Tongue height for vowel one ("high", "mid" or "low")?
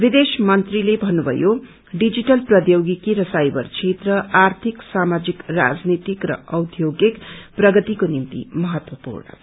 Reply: high